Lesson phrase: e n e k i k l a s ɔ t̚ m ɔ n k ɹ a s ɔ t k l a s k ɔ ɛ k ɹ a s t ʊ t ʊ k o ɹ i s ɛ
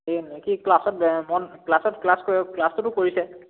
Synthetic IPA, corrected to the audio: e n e k i k l a s ɔ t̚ m ɔ n k l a s ɔ t k l a s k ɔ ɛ k l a s t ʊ t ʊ k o ɹ i s ɛ